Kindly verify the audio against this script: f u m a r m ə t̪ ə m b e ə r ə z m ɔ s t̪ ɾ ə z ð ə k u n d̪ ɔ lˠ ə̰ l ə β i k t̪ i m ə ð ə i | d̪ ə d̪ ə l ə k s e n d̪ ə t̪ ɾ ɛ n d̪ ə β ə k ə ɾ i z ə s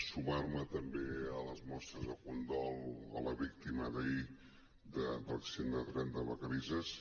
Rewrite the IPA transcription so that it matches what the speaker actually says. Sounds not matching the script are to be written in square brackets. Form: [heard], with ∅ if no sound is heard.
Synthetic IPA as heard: [s] u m a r m ə t̪ ə m b e ə [l] ə z m ɔ s t̪ ɾ ə z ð ə k u n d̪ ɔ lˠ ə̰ l ə β i k t̪ i m ə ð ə i | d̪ ə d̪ ə l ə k s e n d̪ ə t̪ ɾ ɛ n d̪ ə β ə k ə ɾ i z ə s